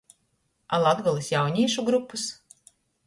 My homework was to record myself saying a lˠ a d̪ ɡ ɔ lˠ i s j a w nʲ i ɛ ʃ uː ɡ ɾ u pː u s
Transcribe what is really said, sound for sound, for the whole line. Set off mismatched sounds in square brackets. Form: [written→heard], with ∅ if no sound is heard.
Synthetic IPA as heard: a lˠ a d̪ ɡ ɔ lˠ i s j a w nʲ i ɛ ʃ [uː→u] ɡ ɾ u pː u s